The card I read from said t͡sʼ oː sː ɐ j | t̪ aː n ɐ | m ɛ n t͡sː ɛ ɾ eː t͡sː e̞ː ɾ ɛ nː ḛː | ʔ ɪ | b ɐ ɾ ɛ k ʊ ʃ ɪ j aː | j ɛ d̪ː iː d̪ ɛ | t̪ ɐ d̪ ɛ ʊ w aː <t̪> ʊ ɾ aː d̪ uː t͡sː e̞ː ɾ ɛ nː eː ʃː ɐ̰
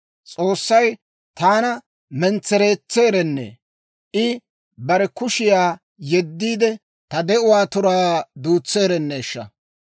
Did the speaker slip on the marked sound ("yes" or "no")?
no